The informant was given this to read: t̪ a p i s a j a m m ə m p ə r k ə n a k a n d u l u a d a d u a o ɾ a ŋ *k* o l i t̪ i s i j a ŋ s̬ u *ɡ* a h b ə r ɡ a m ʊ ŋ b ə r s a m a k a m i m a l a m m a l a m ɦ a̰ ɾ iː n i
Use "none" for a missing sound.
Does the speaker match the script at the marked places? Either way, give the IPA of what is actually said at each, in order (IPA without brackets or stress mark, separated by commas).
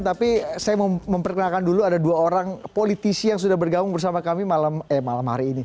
p, d